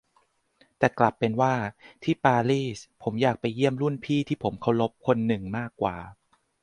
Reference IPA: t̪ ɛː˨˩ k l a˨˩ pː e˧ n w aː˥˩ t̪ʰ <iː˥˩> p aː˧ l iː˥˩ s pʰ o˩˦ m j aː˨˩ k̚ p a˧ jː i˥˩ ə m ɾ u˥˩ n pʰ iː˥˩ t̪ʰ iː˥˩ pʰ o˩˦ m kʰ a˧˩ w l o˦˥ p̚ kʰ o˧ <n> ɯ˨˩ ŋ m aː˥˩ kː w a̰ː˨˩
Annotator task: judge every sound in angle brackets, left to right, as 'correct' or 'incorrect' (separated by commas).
correct, incorrect